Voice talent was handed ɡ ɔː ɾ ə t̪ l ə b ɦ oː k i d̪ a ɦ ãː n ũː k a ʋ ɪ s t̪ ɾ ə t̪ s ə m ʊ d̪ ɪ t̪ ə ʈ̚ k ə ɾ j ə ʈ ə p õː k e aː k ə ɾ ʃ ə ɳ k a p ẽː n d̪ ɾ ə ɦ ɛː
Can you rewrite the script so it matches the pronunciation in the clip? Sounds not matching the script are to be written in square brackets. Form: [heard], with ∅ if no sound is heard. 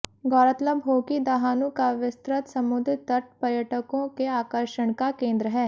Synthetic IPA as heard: ɡ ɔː ɾ ə t̪ l ə b ɦ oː k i d̪ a ɦ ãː n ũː k a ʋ ɪ s t̪ ɾ ə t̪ s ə m ʊ d̪ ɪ t̪ ə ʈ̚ [p] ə ɾ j ə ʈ ə [k] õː k e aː k ə ɾ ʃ ə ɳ k a [k] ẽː n d̪ ɾ ə ɦ ɛː